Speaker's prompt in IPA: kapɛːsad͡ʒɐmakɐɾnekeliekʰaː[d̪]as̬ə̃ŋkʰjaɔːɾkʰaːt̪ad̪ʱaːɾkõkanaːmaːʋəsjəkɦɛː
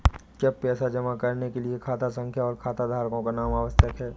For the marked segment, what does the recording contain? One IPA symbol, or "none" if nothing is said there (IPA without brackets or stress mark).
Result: t̪